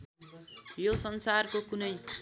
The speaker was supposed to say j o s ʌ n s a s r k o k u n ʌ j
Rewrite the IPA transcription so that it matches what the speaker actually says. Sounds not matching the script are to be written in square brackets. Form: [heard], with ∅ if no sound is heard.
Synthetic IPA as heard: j o s ʌ n s a [∅] r k o k u n ʌ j